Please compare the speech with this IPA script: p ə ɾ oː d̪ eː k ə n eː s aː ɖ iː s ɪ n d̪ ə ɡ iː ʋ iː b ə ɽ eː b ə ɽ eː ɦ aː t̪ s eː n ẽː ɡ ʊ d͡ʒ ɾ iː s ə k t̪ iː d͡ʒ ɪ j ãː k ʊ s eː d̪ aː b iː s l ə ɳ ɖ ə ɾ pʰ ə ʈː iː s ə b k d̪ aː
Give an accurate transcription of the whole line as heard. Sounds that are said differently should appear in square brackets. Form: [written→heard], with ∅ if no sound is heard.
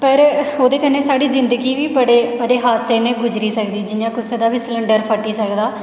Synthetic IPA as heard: p ə ɾ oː d̪ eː k ə n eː s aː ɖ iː [s→z] ɪ n d̪ ə ɡ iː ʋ iː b ə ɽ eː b ə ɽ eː ɦ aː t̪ s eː n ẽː ɡ ʊ d͡ʒ ɾ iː s ə k [t̪→d̪] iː d͡ʒ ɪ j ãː k ʊ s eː d̪ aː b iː s l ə ɳ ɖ ə ɾ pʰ ə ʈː iː s ə [b→∅] k d̪ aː